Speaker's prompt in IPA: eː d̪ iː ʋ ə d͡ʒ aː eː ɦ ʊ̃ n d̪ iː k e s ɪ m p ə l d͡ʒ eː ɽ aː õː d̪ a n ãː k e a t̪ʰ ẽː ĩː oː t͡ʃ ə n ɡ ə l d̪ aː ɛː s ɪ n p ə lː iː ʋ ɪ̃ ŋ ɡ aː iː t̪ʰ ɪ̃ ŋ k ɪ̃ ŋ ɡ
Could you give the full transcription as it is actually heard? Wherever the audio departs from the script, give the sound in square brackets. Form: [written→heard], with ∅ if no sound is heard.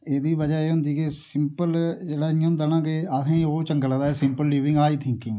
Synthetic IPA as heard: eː d̪ iː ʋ ə d͡ʒ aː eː ɦ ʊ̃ n d̪ iː k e s ɪ m p ə l d͡ʒ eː ɽ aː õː d̪ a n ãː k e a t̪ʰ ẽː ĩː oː t͡ʃ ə [n→ŋ] ɡ ə l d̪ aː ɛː s ɪ [n→m] p ə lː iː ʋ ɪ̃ ŋ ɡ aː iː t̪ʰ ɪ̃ ŋ k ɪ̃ ŋ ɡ